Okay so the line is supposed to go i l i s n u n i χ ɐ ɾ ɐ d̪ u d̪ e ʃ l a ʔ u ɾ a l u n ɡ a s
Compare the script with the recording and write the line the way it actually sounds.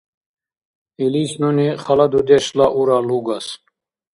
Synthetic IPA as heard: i l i s n u n i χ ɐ l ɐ d̪ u d̪ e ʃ l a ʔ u ɾ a l u ɡ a s